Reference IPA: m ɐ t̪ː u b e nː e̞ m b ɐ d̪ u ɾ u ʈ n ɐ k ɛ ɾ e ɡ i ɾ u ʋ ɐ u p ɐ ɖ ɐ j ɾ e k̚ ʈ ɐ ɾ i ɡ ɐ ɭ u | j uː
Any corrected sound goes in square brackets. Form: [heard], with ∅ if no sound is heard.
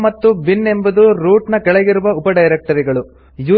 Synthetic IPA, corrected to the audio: m ɐ t̪ː u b [i] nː e̞ m b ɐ d̪ u ɾ [uː] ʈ n ɐ k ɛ [ɭ] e ɡ i ɾ u ʋ ɐ u p ɐ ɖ ɐ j ɾ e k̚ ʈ ɐ ɾ i ɡ ɐ ɭ u | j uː